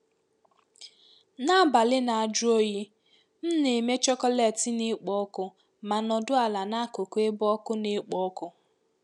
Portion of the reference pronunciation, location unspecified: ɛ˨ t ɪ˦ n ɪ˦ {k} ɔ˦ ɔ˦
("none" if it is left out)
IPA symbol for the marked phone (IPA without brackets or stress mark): k͡p